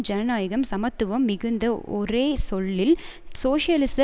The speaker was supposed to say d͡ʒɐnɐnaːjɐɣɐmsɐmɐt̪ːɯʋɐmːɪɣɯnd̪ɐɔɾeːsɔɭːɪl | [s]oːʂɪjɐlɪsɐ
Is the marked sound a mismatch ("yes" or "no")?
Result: no